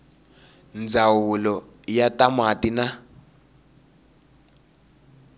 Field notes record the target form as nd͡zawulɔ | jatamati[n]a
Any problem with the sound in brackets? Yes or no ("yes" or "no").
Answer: no